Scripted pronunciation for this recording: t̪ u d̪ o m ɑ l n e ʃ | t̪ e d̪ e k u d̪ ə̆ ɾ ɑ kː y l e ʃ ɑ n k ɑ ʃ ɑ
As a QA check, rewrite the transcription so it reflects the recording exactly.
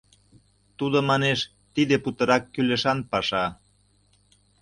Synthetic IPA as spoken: t̪ u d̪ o m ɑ n e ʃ | t̪ i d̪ e p u t̪ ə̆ ɾ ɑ kː y l e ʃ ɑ n p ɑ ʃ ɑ